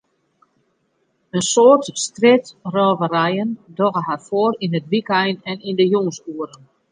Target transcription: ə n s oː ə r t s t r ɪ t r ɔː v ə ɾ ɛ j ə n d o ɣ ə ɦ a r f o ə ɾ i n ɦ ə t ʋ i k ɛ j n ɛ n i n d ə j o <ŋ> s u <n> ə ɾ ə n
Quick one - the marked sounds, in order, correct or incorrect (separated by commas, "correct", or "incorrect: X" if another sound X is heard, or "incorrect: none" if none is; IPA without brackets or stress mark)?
correct, incorrect: none